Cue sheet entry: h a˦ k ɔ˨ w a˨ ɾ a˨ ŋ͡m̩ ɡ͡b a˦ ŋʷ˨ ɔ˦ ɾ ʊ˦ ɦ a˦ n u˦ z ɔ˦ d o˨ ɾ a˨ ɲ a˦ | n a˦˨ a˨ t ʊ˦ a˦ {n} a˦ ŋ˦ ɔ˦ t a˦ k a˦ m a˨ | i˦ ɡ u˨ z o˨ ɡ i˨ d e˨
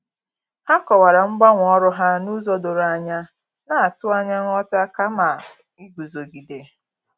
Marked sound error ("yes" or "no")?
yes